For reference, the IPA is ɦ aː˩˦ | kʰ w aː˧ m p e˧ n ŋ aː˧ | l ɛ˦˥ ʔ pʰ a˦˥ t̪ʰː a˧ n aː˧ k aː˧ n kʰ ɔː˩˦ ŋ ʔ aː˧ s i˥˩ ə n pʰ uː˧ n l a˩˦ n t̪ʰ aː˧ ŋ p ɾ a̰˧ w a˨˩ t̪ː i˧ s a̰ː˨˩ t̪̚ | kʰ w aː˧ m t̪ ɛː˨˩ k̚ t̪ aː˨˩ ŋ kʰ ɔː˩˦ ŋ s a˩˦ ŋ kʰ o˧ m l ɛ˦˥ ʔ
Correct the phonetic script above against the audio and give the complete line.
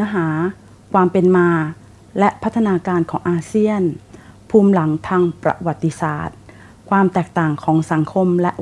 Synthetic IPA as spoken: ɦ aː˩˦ | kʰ w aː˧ m p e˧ n m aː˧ | l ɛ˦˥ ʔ pʰ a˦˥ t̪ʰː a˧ n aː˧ k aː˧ n kʰ ɔː˩˦ ŋ ʔ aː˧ s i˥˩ ə n pʰ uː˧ m l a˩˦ ŋ t̪ʰ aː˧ ŋ p ɾ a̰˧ w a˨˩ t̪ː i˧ s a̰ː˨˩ t̪̚ | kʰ w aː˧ m t̪ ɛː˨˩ k̚ t̪ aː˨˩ ŋ kʰ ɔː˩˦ ŋ s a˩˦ ŋ kʰ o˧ m l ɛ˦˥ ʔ